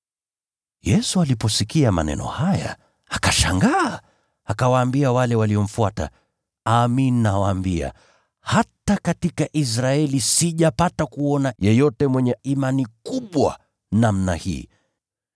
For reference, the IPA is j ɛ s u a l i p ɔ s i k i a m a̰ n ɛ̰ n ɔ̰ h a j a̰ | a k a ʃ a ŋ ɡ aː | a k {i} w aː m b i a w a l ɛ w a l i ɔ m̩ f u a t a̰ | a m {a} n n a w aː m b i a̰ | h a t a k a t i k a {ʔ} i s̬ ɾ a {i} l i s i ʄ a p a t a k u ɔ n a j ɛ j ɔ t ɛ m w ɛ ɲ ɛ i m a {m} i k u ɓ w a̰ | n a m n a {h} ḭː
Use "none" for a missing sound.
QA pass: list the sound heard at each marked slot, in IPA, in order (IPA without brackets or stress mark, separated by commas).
a, i, ʔ, ɛ, n, h